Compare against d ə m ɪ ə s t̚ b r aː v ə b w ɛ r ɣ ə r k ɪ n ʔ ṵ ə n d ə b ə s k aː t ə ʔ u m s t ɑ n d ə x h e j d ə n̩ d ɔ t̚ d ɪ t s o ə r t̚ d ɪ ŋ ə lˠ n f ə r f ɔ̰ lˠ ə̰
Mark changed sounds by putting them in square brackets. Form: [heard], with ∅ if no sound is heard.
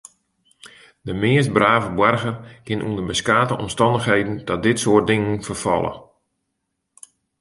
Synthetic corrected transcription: d ə m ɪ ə s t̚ b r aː v ə b w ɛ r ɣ ə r k ɪ n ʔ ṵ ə n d ə b ə s k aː t ə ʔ [ɔ] m s t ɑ n d ə x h e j d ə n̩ d ɔ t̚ d ɪ t s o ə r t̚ d ɪ ŋ ə [∅] n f ə r f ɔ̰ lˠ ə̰